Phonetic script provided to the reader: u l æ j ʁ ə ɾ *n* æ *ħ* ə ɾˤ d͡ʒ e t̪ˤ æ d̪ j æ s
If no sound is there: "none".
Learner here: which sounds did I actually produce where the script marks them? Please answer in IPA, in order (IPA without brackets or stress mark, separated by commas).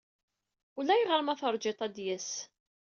m, θ